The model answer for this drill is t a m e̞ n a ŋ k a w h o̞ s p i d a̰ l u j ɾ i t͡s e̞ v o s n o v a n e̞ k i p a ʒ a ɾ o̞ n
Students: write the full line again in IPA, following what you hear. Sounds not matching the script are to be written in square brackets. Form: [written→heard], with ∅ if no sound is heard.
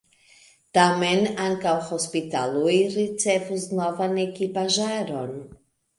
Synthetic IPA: t a m e̞ n a ŋ k a w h o̞ s p i [d→t] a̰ l u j ɾ i t͡s e̞ v [o→u] s n o v a n e̞ k i p a ʒ a ɾ o̞ n